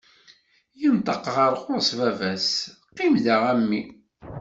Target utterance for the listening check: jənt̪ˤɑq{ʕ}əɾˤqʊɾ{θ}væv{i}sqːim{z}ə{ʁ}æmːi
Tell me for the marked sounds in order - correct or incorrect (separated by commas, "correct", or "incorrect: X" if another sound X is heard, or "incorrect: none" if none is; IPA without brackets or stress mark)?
incorrect: ʁ, incorrect: s, incorrect: æ, incorrect: ð, correct